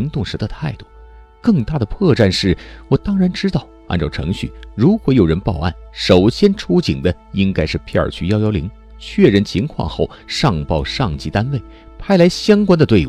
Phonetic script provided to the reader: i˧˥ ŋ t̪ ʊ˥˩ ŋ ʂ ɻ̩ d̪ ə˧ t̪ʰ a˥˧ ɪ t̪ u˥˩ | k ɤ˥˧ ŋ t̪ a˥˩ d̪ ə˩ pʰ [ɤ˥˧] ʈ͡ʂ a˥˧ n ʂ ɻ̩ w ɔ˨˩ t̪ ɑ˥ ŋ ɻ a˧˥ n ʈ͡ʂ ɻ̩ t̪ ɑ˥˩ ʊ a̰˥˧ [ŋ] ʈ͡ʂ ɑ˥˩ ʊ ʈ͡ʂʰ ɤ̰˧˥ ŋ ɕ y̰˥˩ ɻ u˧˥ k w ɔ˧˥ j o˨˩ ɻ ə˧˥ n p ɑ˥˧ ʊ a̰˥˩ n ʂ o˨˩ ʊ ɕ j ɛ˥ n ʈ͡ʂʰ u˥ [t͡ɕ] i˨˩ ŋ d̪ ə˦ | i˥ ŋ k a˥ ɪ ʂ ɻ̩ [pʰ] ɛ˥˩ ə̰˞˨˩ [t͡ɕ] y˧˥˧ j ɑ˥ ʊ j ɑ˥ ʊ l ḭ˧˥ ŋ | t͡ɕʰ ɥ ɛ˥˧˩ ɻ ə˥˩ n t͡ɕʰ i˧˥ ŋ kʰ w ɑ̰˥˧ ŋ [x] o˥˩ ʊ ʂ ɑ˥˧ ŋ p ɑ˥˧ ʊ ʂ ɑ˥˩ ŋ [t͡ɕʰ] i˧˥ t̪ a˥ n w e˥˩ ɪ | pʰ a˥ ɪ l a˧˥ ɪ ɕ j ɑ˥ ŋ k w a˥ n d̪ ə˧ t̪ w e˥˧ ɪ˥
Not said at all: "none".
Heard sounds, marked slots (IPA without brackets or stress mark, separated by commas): ɤ˥˧, n, t͡ɕ, pʰ, t͡ɕʰ, x, t͡ɕ